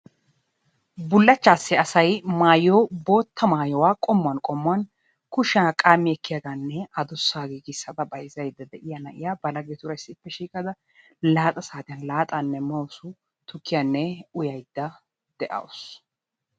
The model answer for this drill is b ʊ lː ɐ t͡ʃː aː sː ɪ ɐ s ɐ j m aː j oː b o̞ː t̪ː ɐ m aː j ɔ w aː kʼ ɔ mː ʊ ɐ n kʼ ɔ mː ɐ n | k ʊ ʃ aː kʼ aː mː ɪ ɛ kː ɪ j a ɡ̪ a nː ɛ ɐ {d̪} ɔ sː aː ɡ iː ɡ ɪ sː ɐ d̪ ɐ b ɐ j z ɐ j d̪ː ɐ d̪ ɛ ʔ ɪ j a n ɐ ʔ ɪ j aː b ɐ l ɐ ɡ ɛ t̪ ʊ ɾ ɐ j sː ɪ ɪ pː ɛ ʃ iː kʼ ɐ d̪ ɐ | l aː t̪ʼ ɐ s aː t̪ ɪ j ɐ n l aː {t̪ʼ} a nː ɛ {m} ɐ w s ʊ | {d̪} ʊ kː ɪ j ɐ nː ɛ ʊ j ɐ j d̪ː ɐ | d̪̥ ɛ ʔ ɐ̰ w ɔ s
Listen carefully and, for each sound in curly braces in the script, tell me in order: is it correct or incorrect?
correct, correct, correct, incorrect

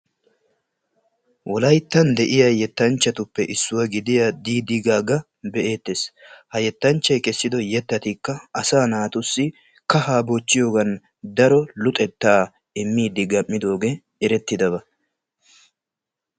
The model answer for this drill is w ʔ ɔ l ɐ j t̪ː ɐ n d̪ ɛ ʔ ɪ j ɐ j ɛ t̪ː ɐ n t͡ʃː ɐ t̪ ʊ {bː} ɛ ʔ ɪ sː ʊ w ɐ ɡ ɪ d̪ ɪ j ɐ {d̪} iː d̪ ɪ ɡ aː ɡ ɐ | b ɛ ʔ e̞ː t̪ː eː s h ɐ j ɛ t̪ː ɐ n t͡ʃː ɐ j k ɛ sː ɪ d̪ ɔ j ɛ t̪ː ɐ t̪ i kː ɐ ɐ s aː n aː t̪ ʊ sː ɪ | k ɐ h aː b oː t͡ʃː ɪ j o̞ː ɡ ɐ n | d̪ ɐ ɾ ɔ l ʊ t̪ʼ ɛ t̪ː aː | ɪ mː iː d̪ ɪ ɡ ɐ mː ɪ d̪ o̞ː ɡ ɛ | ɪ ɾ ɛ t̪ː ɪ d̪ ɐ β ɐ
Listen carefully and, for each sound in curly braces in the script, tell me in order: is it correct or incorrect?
incorrect, correct

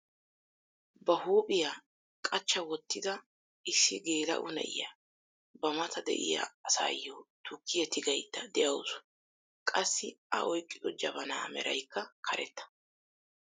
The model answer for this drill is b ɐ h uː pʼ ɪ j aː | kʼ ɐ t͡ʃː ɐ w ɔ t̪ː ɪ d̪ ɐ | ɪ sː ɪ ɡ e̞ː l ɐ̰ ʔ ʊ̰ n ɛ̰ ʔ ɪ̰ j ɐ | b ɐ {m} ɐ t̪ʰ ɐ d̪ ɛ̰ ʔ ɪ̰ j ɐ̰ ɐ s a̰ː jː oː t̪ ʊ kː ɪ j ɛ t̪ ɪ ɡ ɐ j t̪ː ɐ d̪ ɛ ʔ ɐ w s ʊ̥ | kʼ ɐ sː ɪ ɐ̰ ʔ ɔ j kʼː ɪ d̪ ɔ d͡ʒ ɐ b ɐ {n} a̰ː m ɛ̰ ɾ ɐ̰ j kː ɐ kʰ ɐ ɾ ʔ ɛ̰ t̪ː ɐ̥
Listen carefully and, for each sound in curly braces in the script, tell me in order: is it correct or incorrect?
correct, correct

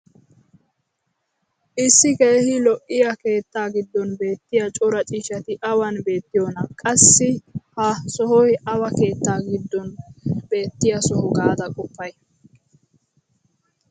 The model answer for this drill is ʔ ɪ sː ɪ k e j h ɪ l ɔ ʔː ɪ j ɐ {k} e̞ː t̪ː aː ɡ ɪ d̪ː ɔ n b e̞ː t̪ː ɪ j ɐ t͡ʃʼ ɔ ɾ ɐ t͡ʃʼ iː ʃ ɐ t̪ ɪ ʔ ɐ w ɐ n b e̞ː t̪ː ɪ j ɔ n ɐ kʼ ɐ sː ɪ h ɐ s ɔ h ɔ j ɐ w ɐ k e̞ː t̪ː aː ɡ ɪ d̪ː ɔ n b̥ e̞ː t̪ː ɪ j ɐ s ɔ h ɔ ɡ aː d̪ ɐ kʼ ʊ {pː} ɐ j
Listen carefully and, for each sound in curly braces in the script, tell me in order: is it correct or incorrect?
correct, correct

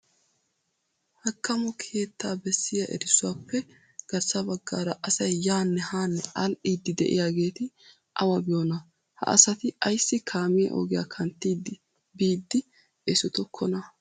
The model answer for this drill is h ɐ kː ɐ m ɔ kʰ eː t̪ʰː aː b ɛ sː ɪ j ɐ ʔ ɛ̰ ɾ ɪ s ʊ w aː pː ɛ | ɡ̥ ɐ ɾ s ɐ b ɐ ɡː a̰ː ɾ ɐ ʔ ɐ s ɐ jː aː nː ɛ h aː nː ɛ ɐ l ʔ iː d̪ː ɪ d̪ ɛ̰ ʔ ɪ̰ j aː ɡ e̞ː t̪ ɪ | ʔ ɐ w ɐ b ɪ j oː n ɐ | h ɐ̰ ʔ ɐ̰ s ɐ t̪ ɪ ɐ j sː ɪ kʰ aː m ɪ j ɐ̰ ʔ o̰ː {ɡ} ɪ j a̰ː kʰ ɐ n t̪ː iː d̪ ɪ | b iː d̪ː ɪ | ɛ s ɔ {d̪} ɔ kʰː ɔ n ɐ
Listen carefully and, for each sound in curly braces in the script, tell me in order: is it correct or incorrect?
correct, incorrect

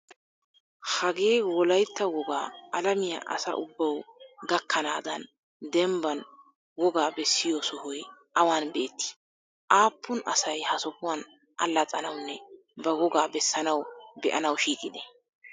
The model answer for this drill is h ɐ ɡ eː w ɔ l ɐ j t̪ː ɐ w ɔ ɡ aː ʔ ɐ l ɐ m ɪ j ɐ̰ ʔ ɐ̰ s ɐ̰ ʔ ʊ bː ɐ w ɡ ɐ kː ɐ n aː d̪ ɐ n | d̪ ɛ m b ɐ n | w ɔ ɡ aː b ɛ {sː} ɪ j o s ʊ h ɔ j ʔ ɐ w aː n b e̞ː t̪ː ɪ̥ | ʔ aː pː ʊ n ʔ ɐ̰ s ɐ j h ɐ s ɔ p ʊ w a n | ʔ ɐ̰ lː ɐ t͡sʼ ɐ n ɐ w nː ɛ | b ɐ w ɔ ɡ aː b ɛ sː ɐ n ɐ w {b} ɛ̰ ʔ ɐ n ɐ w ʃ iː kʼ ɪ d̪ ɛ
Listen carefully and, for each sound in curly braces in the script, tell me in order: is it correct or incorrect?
correct, correct

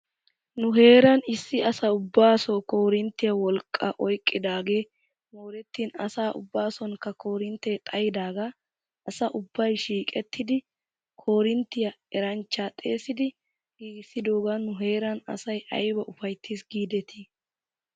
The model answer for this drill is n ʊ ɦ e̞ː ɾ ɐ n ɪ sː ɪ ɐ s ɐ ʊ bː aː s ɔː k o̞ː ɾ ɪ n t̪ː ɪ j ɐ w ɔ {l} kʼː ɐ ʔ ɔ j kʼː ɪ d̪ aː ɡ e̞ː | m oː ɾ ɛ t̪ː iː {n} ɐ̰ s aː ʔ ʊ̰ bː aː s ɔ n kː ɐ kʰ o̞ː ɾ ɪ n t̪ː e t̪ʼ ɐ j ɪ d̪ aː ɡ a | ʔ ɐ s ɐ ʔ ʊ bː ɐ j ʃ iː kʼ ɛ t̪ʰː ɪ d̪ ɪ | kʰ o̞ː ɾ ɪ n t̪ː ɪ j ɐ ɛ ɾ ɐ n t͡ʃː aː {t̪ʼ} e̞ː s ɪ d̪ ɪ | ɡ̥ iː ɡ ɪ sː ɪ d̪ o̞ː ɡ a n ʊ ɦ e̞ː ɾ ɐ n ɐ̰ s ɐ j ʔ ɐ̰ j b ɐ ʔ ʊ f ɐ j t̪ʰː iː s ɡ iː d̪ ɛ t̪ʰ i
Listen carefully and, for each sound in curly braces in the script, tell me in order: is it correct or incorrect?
correct, correct, correct

